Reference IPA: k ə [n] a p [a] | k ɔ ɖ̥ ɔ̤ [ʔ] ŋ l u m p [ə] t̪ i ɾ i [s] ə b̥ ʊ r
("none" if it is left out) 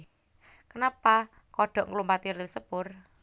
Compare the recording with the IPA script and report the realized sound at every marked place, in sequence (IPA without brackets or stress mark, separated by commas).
n, a, ʔ, a, s